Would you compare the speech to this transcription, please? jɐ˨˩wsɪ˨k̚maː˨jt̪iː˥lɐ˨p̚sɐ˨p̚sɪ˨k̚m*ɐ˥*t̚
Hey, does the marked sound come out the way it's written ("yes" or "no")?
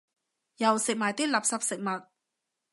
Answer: no